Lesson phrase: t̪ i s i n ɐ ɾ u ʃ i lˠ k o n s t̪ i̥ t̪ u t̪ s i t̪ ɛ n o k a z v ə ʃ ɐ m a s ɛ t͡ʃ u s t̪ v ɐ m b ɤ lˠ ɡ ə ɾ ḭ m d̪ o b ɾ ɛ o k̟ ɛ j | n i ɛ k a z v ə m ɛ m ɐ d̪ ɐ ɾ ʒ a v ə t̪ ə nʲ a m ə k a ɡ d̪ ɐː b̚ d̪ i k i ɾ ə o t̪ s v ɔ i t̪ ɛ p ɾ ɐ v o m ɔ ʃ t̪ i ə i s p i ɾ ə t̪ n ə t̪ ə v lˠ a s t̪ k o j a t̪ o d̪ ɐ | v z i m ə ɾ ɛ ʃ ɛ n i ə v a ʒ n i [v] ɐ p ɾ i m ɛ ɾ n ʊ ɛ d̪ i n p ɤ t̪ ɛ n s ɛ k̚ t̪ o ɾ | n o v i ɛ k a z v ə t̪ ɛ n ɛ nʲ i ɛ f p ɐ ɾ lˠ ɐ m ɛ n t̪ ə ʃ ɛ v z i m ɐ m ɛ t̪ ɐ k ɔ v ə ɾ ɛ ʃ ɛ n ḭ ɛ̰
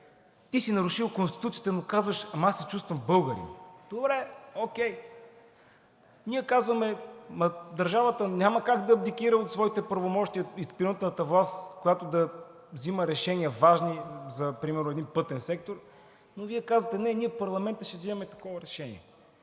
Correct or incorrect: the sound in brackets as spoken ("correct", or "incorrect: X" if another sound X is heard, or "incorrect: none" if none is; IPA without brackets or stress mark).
incorrect: z